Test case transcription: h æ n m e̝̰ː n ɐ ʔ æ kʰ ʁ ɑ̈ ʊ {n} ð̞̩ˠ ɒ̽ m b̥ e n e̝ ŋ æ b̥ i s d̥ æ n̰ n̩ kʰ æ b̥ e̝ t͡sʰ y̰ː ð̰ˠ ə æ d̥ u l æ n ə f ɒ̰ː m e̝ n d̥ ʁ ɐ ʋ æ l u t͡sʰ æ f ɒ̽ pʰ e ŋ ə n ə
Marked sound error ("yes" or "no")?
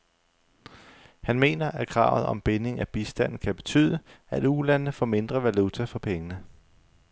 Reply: yes